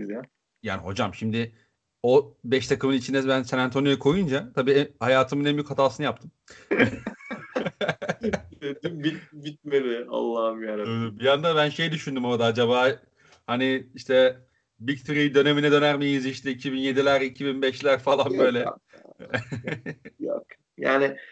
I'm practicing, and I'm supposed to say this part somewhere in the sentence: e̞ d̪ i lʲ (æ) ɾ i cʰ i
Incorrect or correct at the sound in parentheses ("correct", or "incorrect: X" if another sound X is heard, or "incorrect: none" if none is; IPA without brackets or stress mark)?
correct